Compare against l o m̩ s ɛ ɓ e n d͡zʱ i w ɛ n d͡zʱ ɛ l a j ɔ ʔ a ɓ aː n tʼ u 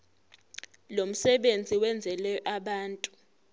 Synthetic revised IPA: l o m̩ s ɛ ɓ e n d͡zʱ i w ɛ n d͡zʱ ɛ l ɛ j ɔ ʔ a ɓ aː n tʼ u